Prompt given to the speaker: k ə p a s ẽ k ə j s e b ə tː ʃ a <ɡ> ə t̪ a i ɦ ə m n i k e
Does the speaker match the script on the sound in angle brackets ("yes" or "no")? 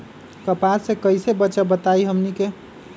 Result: no